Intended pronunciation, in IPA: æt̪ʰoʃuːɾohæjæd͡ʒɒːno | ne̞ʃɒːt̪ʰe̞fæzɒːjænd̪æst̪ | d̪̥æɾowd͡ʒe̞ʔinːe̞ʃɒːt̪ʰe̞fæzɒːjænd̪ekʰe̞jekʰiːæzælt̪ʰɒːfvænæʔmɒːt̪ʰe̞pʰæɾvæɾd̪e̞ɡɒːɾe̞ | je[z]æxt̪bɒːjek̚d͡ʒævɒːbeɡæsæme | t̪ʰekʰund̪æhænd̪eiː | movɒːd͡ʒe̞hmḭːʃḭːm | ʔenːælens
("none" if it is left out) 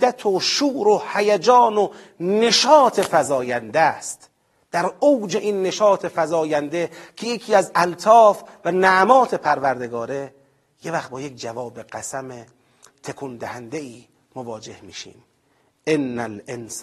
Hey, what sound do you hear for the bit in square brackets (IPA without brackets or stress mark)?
v